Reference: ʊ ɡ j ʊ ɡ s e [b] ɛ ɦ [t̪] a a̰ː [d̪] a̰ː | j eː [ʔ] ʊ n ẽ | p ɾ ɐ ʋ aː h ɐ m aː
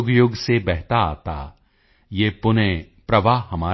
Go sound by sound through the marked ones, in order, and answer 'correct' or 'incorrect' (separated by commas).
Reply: correct, correct, incorrect, incorrect